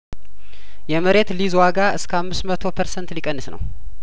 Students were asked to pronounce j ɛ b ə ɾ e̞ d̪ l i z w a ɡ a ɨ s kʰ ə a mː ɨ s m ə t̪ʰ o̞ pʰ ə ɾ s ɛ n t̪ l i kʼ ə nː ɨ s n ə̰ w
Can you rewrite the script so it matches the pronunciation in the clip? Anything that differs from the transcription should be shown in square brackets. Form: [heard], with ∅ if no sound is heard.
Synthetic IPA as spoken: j ɛ [m] ə ɾ e̞ [t̪] l i z w a ɡ a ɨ s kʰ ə a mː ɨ s m ə t̪ʰ o̞ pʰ ə ɾ s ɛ n t̪ l i kʼ ə nː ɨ s n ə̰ w